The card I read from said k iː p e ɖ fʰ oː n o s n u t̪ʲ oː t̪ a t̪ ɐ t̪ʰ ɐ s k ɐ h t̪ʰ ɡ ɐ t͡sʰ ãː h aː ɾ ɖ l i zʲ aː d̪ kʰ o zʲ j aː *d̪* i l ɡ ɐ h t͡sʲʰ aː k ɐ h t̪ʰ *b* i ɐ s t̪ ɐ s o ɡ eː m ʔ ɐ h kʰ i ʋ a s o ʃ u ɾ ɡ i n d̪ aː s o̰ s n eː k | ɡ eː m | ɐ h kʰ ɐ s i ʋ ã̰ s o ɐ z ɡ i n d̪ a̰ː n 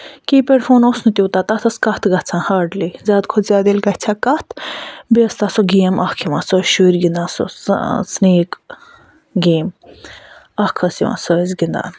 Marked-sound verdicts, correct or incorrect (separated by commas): correct, correct